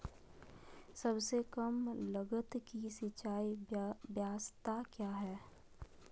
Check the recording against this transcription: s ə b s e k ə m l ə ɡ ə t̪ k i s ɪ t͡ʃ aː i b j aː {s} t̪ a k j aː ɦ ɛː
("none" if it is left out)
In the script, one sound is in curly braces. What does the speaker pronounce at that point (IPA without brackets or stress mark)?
s